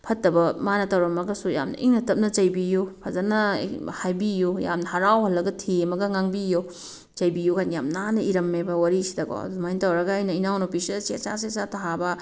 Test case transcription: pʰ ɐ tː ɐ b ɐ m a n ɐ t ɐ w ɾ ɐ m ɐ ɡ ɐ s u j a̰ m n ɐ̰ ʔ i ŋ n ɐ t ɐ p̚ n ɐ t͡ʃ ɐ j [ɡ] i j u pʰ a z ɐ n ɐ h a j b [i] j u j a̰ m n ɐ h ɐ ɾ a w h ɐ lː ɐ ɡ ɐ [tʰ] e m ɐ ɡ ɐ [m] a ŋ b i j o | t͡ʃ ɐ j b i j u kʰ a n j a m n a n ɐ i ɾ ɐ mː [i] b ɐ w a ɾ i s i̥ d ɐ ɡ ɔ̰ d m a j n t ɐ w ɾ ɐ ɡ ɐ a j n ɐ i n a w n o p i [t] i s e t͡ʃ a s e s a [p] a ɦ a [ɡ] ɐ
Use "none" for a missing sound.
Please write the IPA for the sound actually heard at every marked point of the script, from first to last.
b, i, tʰ, ŋ, e, s, t, b

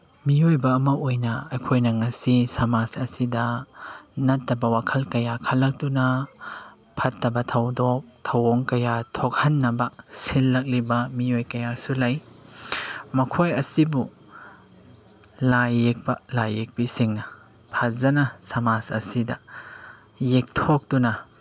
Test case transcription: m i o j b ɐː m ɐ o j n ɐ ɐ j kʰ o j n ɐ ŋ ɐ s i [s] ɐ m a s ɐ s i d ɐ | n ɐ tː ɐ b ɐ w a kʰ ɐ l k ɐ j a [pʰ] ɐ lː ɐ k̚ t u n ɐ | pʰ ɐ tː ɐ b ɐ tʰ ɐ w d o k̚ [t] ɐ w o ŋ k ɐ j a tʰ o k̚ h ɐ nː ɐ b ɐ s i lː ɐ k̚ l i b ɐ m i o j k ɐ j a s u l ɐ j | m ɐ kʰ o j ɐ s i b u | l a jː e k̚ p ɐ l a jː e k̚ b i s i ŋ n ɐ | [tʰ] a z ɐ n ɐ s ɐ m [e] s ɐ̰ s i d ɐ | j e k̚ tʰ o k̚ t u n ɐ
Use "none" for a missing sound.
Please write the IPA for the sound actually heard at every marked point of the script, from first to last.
s, kʰ, tʰ, pʰ, a

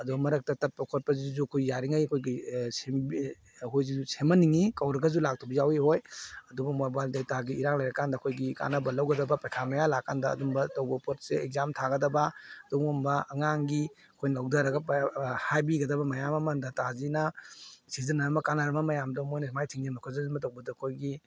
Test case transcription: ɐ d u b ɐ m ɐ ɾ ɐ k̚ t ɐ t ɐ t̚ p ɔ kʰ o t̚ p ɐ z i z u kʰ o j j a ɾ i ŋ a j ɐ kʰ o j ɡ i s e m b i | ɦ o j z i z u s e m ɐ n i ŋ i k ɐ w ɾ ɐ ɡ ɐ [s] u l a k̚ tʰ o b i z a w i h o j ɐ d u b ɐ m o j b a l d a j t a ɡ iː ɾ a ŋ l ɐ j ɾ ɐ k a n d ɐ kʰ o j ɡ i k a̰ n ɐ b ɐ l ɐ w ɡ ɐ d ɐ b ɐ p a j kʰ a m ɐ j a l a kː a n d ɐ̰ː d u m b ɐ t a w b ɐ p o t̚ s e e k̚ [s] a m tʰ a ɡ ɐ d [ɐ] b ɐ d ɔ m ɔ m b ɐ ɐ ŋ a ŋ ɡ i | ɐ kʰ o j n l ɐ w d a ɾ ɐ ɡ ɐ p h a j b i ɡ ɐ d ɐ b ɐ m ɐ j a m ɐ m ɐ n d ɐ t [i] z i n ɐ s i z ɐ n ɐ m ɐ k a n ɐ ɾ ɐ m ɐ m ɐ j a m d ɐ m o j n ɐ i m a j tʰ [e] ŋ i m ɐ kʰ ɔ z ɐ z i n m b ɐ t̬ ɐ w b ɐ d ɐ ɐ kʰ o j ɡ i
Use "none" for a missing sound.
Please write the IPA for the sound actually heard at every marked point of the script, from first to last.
z, z, ɐ, a, i

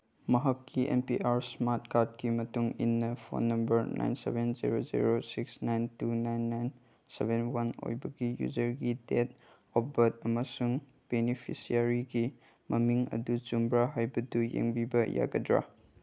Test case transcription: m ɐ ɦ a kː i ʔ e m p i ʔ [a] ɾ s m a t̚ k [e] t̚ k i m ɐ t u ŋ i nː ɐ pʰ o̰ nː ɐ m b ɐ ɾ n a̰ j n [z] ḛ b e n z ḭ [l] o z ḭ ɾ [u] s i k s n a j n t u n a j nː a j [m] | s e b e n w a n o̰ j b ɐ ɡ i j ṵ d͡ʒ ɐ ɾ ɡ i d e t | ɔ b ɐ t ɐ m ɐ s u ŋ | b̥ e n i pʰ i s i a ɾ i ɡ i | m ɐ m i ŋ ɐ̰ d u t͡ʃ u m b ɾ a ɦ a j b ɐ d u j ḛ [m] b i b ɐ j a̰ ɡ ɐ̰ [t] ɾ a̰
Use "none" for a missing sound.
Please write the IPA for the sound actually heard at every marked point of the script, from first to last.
a, a, s, ɾ, o, n, ŋ, d

